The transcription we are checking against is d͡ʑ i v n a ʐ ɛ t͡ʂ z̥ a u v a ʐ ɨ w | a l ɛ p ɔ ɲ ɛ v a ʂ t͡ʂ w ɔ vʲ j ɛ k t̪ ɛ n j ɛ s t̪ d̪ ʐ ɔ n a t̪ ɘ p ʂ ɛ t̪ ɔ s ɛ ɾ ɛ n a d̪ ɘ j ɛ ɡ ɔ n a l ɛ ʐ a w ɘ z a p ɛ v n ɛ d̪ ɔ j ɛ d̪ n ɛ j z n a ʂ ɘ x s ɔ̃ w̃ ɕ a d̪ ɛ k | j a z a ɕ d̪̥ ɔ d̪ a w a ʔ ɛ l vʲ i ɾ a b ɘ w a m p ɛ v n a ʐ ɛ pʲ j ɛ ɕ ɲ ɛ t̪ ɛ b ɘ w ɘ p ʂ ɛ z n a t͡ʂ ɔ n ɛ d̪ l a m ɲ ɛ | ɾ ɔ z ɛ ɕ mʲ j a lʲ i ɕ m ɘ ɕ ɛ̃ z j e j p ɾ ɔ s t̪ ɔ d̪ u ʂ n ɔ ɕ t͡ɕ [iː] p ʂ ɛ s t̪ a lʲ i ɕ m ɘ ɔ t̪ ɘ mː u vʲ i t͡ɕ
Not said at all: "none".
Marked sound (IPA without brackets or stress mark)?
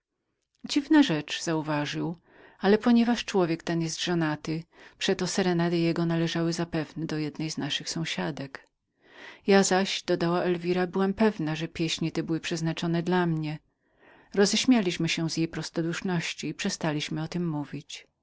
iː